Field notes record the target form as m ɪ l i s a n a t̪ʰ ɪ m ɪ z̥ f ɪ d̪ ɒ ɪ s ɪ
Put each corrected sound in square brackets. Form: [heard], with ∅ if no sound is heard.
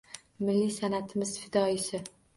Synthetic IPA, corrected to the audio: m ɪ [lː] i s a n a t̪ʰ ɪ m ɪ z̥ f ɪ d̪ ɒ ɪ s ɪ